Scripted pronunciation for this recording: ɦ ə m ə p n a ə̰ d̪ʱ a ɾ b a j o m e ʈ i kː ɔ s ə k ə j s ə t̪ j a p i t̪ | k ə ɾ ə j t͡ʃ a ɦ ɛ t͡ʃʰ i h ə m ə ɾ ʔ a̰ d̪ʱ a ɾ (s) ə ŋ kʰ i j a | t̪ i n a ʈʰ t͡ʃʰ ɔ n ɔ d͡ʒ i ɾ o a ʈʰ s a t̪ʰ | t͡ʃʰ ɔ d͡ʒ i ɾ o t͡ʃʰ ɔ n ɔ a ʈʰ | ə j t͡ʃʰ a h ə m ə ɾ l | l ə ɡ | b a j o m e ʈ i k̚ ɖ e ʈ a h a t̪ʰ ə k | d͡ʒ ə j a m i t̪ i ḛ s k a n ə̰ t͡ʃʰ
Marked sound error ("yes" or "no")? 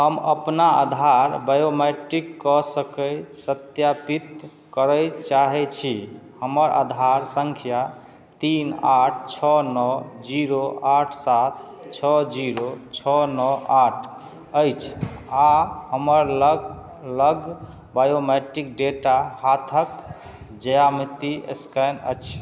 no